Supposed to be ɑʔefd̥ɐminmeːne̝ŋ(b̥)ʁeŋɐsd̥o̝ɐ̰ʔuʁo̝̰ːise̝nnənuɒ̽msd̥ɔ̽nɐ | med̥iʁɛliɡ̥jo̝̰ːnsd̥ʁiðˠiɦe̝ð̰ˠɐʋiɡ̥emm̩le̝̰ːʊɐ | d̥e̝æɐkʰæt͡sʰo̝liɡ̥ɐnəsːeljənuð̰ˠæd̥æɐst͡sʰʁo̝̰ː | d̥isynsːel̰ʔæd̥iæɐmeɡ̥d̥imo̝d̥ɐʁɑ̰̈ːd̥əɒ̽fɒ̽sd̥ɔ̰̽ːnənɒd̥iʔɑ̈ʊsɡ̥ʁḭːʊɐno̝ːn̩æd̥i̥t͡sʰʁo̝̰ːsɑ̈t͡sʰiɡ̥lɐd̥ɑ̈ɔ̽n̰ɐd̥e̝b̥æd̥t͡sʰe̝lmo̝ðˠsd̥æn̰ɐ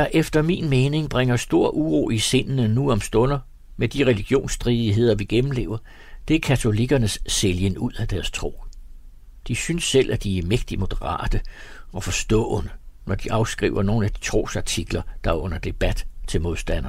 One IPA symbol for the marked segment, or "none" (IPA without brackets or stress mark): b̥